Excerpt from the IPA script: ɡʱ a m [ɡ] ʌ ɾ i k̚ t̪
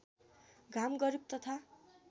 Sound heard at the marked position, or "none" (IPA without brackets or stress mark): ɡ